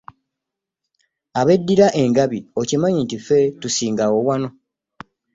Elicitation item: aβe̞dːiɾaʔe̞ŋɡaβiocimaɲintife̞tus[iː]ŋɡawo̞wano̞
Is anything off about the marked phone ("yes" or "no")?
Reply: no